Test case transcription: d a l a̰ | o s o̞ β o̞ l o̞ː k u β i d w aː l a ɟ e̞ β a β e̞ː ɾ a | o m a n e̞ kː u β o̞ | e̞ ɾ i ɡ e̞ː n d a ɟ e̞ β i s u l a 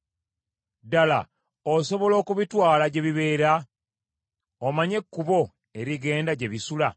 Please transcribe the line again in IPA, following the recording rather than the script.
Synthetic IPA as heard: d a l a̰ | o s o̞ β o̞ l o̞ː k u β i t w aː l a ɟ e̞ β i β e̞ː ɾ a | o m a ɲ e̞ kː u β o̞ | e̞ ɾ i ɡ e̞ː n d a ɟ e̞ β i s u l a